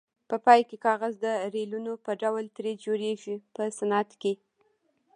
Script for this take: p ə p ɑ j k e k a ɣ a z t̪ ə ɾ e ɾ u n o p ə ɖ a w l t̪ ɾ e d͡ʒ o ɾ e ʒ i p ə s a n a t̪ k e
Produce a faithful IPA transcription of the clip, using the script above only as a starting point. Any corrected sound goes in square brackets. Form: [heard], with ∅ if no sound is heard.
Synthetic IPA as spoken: p ə p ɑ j k e k [ɑ] ɣ a z [d̪] ə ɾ e [l] u n o p ə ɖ a w l t̪ ɾ e d͡ʒ o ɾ e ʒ i p ə s a n a t̪ k e